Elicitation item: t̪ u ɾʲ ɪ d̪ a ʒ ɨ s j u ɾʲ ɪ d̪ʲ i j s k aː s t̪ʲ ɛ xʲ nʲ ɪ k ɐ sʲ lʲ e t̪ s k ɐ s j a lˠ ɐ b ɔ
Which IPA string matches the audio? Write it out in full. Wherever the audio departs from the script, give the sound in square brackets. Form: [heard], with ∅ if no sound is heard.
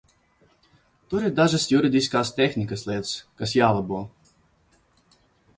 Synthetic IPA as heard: t̪ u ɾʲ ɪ d̪ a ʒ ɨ s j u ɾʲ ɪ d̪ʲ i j s k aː s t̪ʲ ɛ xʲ nʲ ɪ k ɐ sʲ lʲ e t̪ s k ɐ s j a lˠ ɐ b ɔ